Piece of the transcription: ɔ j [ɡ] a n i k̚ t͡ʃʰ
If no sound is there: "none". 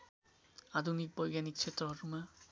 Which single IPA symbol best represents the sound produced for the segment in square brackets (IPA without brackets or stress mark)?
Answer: ɡ